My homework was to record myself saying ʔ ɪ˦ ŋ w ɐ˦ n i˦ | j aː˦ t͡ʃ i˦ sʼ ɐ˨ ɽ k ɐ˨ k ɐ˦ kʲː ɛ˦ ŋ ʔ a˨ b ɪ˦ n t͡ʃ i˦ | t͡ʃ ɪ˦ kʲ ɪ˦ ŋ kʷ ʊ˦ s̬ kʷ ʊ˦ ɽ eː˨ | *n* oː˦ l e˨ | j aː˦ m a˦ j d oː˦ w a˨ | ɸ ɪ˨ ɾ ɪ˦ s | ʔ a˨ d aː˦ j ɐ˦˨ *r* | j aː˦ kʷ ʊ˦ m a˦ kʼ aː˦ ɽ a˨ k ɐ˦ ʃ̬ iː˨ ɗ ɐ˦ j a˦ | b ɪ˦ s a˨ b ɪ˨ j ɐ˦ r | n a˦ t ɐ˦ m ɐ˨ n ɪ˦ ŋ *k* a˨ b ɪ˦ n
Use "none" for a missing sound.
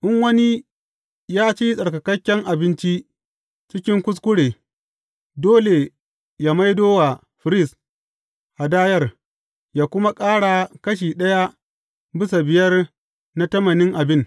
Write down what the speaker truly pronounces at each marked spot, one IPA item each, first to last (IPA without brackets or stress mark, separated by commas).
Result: d, r, ʔ